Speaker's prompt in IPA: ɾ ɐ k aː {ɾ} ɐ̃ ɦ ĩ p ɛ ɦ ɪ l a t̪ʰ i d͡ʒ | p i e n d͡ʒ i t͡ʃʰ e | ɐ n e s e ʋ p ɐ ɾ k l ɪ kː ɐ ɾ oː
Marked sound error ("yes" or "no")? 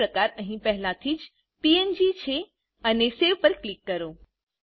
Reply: no